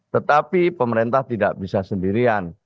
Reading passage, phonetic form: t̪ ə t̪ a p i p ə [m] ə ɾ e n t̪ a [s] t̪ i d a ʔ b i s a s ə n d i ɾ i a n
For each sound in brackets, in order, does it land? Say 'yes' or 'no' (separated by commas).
yes, no